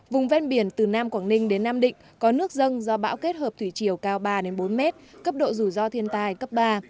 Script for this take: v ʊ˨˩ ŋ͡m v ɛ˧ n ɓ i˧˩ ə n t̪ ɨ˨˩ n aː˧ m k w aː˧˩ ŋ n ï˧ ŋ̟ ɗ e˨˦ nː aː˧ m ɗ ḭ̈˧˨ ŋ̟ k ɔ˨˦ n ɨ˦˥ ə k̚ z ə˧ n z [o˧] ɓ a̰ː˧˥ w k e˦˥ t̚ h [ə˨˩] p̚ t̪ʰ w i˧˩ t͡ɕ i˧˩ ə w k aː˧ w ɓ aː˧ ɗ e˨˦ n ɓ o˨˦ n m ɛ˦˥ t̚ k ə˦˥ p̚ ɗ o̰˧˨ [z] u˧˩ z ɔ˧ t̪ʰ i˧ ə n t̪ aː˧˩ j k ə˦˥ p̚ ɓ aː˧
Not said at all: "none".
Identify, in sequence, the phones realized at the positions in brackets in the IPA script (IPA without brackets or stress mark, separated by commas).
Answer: ɔ˧, əː˨˩, z